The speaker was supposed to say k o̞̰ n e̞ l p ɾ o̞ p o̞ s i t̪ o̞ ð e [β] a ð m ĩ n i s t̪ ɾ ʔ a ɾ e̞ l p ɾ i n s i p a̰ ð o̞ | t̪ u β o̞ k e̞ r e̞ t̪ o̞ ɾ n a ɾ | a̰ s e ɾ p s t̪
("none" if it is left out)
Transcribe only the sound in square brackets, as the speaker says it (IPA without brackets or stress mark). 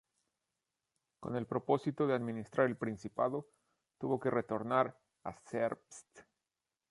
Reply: none